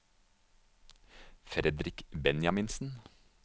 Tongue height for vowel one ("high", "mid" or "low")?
mid